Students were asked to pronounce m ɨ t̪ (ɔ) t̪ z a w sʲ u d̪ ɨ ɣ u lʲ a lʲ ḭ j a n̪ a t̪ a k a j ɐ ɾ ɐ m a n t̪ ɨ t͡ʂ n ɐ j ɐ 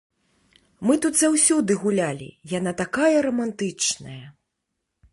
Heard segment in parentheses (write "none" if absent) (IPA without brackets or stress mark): u